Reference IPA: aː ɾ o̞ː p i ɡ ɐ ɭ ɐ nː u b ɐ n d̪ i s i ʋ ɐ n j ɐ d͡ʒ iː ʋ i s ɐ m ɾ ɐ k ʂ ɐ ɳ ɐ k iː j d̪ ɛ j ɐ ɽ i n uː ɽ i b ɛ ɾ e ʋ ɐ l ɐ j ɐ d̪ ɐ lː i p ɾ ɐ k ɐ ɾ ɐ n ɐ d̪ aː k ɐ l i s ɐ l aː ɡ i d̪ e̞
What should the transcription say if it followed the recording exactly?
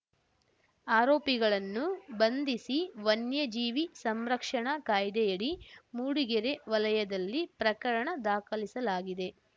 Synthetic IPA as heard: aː ɾ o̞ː p i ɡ ɐ ɭ ɐ nː u b ɐ n d̪ i s i ʋ ɐ n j ɐ d͡ʒ iː ʋ i s ɐ m ɾ ɐ k ʂ ɐ ɳ ɐ k aː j d̪ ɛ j ɐ ɽ i m uː ɽ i ɡ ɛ ɾ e ʋ ɐ l ɐ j ɐ d̪ ɐ lː i p ɾ ɐ k ɐ ɾ ɐ ɳ ɐ d̪ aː k ɐ l i s ɐ l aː ɡ i d̪ e̞